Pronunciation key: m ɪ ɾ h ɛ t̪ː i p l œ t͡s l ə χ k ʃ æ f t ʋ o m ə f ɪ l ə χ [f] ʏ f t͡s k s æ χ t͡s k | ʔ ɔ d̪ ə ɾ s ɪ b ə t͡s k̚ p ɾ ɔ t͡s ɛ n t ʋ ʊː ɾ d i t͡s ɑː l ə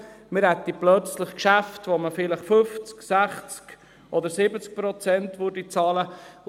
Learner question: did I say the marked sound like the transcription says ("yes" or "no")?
yes